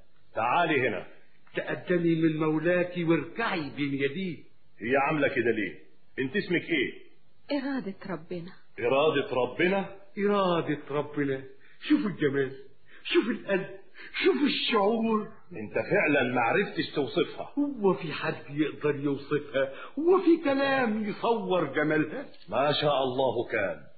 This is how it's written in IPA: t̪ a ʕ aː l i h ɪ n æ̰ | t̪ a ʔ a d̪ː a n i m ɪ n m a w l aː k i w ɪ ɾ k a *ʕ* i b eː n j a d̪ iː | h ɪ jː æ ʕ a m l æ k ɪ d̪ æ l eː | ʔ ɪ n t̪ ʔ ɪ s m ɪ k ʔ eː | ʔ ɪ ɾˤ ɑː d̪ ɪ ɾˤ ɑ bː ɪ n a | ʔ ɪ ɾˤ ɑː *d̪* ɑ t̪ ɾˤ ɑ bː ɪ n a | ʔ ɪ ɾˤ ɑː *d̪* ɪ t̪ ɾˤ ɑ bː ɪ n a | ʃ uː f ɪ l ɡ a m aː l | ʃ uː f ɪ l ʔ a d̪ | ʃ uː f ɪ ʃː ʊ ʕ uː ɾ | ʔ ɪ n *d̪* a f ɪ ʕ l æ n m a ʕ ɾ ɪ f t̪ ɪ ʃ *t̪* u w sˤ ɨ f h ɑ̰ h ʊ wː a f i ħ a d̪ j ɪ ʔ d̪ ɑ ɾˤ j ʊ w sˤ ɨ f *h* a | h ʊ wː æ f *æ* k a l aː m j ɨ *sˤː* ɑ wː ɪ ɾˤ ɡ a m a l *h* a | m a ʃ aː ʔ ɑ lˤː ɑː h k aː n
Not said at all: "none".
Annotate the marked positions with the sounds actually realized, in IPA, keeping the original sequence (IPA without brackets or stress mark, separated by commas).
ʕ, d̪, d̪, t̪, t̪, h, i, sˤ, h